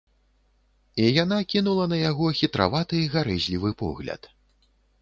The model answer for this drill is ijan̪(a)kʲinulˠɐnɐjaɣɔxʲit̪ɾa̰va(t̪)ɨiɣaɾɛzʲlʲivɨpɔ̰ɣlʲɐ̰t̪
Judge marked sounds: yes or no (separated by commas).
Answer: yes, yes